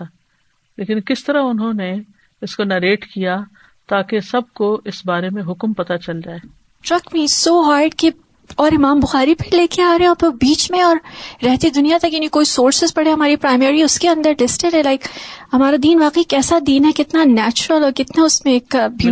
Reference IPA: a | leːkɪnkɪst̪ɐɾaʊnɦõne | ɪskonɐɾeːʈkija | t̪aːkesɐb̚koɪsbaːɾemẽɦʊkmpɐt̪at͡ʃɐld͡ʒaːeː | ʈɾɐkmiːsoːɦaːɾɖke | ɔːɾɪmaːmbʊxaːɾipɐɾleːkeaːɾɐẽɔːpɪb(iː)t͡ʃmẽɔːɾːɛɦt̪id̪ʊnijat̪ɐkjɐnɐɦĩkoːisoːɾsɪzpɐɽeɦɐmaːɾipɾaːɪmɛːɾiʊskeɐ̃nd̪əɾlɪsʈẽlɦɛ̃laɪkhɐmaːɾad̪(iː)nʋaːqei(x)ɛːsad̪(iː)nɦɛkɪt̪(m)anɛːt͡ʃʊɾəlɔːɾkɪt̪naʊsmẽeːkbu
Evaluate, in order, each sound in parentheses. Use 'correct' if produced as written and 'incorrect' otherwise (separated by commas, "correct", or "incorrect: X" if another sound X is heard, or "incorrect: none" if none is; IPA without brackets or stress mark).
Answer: correct, correct, incorrect: k, correct, incorrect: n